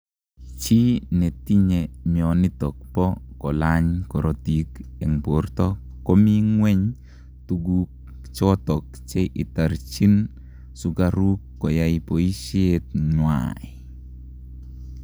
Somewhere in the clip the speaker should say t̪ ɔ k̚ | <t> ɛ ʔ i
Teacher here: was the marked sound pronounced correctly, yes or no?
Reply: no